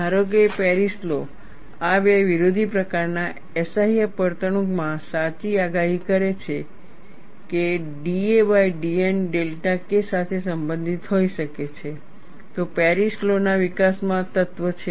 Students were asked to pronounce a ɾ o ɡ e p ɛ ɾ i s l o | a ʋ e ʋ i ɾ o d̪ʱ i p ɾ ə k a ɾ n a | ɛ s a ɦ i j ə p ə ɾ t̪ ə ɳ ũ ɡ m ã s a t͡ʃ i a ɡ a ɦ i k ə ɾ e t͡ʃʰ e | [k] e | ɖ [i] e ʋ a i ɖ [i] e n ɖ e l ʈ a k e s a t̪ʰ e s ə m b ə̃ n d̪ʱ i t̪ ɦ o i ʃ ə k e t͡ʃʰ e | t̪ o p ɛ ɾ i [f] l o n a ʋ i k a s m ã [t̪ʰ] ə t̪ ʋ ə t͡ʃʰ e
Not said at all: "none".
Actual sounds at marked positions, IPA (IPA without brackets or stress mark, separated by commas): k, i, i, s, t̪